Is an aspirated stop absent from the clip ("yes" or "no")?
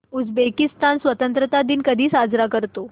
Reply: yes